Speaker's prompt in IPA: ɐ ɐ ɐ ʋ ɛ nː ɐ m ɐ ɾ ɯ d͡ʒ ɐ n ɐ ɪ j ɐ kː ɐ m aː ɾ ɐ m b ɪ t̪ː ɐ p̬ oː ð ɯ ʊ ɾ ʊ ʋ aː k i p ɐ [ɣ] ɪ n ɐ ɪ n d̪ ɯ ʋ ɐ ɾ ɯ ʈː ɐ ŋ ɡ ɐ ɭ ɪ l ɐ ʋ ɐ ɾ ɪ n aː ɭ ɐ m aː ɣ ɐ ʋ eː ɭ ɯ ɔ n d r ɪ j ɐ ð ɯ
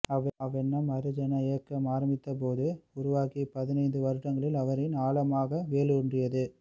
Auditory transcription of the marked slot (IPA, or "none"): ð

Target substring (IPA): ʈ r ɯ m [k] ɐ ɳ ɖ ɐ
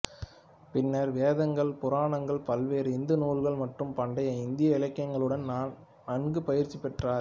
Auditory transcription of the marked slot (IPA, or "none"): p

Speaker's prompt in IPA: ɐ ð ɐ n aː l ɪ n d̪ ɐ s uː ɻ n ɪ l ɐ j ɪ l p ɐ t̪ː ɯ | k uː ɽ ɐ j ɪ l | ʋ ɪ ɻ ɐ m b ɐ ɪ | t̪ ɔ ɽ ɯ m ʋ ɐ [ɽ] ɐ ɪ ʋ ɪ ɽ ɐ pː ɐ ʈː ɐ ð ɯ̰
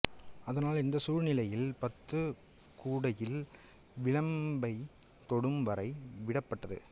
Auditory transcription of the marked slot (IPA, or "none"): ɾ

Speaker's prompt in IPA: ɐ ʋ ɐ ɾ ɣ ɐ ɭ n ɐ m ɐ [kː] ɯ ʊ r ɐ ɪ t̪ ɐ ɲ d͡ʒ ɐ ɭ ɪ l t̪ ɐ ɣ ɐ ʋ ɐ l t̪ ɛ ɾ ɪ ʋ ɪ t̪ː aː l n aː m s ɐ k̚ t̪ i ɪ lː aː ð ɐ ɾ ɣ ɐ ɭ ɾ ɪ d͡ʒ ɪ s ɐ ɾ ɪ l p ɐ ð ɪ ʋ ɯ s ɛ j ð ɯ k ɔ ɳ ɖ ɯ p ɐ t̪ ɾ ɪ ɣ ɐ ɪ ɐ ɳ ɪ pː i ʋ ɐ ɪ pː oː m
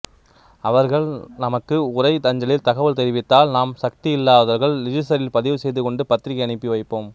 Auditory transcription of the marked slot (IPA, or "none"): kː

